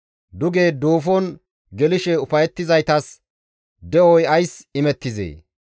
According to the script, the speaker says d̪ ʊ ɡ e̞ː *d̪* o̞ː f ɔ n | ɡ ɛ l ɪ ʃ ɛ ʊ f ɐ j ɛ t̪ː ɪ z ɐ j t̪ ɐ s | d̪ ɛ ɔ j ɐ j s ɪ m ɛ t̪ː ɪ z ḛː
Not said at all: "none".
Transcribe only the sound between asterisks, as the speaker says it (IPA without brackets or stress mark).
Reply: d̪